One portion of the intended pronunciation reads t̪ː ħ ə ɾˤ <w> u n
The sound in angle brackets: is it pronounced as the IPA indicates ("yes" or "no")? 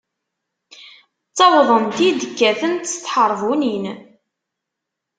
no